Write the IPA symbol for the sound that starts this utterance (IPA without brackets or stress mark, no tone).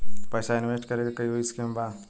p